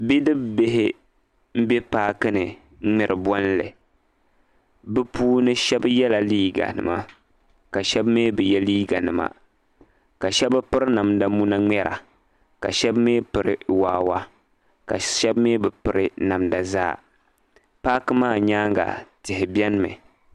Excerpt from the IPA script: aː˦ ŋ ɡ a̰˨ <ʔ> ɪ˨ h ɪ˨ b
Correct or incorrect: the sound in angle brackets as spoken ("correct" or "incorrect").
incorrect